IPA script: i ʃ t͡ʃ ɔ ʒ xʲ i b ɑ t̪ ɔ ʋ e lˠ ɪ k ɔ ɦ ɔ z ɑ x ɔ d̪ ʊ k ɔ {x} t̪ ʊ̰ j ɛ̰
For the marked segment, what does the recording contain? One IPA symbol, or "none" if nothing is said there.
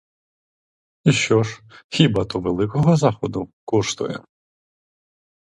ʃ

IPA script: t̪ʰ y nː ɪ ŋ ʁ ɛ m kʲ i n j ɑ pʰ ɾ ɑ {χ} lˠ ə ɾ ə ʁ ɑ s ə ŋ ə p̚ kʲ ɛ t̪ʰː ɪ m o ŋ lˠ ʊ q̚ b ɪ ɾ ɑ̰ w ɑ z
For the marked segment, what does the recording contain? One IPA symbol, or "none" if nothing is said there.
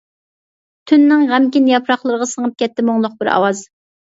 χ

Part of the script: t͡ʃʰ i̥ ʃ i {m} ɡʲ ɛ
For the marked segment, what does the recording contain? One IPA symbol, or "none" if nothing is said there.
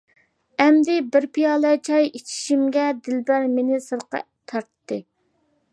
m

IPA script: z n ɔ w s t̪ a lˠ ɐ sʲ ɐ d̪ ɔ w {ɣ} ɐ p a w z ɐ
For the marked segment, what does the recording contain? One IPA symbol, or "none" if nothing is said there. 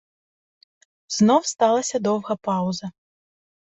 ɣ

